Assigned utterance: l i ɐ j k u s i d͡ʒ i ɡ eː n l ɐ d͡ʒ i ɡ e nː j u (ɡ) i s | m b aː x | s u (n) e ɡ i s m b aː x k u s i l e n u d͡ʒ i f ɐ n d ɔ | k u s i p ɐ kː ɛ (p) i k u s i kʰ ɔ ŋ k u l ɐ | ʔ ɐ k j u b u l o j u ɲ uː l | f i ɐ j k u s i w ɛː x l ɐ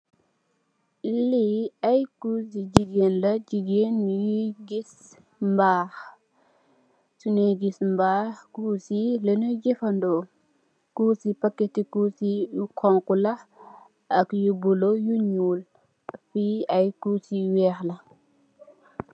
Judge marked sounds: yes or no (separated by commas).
yes, yes, no